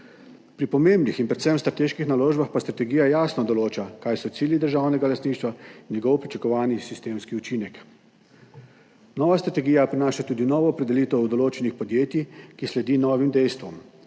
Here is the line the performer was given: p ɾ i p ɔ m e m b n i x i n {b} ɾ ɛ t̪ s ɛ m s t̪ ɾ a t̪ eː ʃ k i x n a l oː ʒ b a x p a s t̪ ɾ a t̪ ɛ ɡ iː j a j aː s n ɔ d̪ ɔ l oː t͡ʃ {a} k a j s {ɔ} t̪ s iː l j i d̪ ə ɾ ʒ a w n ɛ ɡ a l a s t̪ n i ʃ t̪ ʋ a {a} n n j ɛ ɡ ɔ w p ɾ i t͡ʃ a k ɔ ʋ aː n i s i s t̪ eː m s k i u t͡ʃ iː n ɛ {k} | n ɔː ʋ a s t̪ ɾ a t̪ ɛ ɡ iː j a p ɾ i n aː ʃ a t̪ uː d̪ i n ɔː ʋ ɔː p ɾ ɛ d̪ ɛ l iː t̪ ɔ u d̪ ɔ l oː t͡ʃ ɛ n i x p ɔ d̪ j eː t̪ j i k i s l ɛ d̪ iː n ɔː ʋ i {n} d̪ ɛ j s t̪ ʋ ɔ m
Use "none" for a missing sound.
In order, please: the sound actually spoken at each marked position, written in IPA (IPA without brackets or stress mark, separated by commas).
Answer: p, a, ɔ, i, k, m